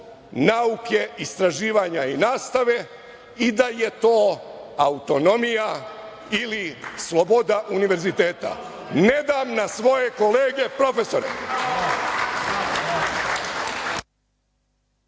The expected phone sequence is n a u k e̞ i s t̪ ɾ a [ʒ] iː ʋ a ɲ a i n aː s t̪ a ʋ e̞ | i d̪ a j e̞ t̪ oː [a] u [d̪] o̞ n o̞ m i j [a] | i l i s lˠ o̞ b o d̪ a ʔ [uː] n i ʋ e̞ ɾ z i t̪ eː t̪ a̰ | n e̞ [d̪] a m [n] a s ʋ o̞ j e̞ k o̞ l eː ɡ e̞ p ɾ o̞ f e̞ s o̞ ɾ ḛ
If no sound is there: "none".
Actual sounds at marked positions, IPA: ʒ, a, t̪, a, u, d̪, n

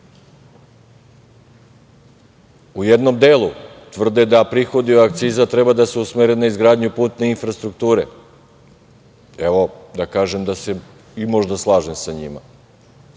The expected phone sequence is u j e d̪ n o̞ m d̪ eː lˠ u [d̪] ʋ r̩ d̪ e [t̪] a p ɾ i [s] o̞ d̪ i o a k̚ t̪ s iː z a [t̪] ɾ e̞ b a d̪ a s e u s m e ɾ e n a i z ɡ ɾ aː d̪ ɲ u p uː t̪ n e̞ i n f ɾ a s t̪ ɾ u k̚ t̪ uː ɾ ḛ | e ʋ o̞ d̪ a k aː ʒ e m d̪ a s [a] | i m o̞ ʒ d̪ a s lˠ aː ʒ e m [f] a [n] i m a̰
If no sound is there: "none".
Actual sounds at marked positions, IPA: t̪, d̪, x, t̪, e, s, ɲ

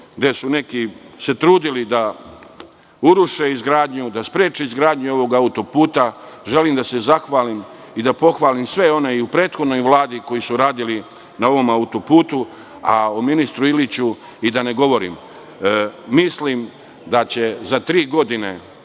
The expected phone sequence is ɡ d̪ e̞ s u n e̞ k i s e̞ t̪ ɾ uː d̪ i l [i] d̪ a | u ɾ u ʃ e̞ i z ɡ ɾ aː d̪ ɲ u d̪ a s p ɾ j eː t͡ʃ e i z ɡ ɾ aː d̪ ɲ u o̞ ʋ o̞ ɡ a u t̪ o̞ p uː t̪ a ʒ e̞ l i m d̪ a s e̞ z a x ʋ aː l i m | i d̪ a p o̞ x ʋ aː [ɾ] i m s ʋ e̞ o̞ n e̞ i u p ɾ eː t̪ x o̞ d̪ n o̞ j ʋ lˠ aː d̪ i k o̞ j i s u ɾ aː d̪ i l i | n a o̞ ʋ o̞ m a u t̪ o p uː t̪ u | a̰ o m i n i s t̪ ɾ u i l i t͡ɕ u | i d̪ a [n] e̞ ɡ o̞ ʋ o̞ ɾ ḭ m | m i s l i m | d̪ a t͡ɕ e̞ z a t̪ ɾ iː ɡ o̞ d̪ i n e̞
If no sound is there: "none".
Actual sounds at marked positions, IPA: i, l, n

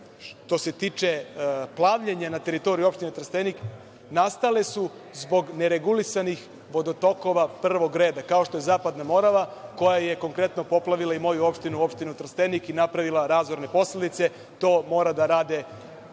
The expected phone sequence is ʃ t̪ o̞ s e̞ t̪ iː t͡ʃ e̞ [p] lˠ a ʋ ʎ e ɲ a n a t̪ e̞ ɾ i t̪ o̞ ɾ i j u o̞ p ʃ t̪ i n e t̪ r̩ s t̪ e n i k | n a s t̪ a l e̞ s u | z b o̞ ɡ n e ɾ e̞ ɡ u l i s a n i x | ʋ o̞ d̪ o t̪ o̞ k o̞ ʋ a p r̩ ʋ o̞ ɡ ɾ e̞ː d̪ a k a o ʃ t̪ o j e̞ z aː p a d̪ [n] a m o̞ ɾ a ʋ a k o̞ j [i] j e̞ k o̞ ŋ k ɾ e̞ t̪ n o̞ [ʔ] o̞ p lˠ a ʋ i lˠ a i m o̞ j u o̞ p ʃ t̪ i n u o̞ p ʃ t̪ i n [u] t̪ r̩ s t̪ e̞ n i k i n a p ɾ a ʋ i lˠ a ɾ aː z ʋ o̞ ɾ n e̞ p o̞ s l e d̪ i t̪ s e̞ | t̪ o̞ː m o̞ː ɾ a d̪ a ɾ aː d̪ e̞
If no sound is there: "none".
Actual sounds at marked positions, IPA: p, n, a, p, u

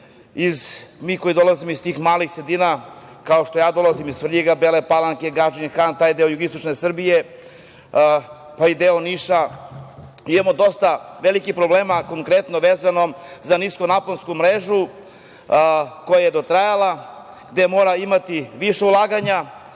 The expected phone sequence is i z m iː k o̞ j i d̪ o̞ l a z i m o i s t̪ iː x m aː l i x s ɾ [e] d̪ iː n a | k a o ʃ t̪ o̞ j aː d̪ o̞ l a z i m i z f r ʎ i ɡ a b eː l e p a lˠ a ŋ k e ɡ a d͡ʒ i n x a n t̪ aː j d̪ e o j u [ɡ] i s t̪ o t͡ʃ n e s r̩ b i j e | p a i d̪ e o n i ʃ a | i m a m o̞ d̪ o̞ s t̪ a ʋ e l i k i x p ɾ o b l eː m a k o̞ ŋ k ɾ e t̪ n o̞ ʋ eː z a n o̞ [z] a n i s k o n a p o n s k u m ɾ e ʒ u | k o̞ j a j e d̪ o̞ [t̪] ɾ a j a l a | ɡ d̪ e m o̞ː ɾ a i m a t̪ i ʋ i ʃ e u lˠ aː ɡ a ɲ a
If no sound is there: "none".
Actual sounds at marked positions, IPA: e, ɡ, z, t̪

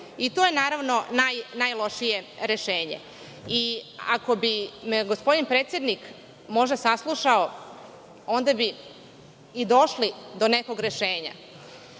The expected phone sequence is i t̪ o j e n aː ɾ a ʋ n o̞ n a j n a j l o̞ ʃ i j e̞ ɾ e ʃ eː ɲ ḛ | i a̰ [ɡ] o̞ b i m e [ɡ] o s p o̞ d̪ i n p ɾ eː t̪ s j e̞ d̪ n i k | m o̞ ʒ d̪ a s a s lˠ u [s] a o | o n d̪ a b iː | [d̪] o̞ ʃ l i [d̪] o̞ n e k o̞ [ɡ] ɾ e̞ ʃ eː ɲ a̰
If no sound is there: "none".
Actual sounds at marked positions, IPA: k, ɡ, ʃ, d̪, d̪, ɡ

